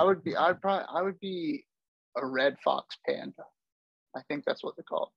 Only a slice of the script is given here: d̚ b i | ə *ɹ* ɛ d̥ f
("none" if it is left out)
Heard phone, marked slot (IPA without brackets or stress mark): ɹ